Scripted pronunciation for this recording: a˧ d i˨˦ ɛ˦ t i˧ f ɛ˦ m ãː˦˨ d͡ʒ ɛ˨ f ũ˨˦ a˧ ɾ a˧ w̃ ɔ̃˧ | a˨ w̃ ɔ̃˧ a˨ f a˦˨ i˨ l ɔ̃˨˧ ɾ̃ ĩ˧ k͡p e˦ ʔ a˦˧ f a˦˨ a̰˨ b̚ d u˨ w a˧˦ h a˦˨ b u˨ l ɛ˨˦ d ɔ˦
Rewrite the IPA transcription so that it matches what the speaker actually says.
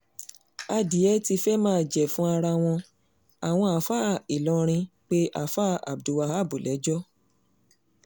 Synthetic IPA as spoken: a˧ d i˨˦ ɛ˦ t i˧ f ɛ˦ m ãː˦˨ d͡ʒ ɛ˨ f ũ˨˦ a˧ ɾ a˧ w̃ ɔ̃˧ | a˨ w̃ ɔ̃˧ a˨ f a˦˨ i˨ l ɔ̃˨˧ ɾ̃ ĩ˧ k͡p e˦ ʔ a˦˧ f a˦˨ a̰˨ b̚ d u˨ w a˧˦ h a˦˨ b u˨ l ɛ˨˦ d͡ʒ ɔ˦